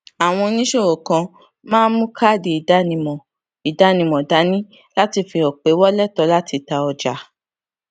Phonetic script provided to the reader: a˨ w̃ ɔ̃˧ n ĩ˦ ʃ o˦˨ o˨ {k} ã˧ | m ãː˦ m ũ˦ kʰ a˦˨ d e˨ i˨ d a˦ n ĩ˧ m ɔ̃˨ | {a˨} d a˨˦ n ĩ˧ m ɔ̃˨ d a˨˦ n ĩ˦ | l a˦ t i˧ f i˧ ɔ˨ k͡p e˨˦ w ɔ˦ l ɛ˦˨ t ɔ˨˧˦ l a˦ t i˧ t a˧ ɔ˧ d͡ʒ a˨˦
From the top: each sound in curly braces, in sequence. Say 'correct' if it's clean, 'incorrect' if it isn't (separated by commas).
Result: correct, incorrect